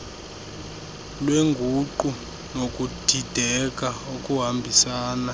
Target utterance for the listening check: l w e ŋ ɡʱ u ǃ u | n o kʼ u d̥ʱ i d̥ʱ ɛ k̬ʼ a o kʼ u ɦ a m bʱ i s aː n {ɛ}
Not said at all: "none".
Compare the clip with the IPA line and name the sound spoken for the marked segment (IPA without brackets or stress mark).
a